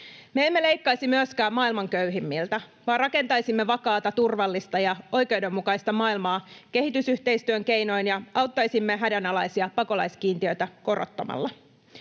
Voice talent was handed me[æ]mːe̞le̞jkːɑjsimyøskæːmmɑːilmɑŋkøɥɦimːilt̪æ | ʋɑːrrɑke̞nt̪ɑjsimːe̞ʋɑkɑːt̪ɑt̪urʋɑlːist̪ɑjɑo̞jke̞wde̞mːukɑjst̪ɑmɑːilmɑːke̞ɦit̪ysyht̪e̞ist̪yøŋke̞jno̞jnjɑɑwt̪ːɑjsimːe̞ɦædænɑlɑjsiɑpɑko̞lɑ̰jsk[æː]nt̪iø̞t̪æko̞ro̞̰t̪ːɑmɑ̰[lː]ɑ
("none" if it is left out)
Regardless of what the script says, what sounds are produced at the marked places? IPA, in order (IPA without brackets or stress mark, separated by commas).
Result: e, iː, lː